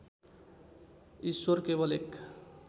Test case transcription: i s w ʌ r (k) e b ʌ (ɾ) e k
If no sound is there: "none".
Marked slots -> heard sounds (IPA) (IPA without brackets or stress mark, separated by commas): k, l